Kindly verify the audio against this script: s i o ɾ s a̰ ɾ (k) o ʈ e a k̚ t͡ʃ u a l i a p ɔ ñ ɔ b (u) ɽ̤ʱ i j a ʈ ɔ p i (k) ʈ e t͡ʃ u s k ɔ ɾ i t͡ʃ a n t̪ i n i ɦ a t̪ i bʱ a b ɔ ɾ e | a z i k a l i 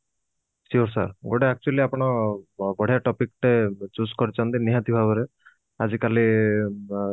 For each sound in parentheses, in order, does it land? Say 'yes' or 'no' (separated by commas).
no, no, yes